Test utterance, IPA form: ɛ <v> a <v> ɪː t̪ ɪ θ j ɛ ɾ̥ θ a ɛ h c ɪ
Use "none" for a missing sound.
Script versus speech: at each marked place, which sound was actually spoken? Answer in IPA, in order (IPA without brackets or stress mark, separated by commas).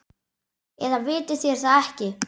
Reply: ð, v